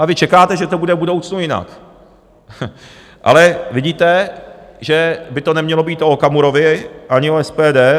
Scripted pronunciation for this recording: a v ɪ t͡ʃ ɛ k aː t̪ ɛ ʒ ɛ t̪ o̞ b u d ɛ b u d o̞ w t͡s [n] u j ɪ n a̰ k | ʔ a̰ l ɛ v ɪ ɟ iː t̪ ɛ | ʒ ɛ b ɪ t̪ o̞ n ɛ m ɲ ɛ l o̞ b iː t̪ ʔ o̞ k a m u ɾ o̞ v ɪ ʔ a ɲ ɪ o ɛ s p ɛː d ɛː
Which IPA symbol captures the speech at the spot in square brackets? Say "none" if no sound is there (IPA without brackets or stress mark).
n